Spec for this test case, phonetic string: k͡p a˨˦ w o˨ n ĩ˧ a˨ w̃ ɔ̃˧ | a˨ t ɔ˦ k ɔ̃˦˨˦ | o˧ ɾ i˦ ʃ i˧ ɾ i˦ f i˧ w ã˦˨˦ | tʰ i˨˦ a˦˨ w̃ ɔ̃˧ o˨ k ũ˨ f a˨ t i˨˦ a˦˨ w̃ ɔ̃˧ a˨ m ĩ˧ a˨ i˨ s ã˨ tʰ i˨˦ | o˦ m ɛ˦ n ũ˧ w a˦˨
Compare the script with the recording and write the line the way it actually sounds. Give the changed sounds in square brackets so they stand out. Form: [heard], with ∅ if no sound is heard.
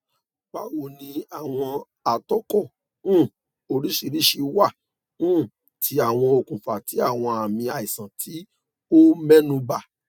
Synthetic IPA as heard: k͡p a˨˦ w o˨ n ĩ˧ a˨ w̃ ɔ̃˧ | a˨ t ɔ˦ k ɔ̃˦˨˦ | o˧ ɾ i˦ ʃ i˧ ɾ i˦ [ʃ] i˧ w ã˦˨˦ | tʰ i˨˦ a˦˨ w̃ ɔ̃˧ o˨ k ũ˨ f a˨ t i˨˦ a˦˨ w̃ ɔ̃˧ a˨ m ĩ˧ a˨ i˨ s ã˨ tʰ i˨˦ | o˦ m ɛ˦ n ũ˧ [b] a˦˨